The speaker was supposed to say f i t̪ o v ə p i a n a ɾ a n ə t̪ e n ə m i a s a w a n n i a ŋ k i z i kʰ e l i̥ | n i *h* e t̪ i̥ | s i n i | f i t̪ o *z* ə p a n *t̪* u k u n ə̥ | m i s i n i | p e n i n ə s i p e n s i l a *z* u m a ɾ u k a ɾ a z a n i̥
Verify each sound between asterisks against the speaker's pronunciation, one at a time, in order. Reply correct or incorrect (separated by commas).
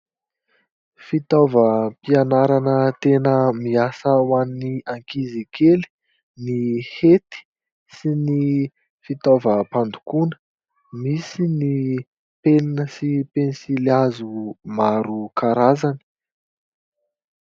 correct, incorrect, incorrect, correct